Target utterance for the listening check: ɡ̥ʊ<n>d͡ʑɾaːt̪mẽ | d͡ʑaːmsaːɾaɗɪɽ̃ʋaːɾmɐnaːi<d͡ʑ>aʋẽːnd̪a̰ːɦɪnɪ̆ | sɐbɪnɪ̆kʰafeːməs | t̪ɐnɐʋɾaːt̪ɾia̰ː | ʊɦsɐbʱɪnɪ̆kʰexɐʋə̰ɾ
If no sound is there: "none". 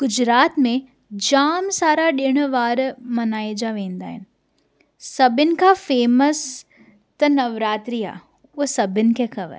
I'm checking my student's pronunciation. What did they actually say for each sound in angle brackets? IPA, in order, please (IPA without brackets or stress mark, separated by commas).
none, d͡ʑ